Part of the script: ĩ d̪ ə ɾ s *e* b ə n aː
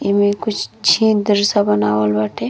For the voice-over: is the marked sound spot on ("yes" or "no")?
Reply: no